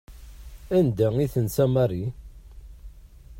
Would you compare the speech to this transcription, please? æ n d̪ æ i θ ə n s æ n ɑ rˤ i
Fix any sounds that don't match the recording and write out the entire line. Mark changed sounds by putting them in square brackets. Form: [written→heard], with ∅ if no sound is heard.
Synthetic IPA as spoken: æ n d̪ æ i θ ə n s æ [n→m] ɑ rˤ i